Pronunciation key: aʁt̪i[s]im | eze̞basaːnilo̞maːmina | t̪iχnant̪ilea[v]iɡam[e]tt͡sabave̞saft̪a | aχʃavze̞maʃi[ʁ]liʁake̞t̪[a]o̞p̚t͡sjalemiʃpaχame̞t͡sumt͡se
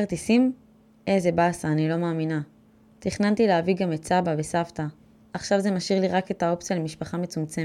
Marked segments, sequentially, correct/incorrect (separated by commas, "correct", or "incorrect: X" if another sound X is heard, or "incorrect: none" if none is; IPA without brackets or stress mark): correct, correct, correct, correct, correct